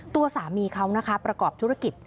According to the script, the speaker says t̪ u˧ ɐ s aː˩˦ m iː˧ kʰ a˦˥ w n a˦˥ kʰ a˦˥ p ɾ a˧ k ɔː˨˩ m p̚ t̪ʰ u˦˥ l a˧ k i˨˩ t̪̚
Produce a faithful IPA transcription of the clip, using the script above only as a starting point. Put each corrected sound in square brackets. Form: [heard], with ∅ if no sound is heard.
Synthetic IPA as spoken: t̪ u˧ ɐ s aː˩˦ m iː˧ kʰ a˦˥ w n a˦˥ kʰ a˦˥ p ɾ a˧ k ɔː˨˩ [∅] p̚ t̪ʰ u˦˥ [ɾ] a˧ k i˨˩ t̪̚